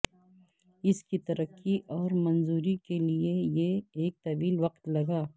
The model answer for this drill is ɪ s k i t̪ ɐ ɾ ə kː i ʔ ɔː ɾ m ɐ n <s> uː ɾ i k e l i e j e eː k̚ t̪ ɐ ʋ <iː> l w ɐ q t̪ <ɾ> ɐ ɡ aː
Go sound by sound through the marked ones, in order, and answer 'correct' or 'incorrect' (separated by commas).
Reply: incorrect, correct, incorrect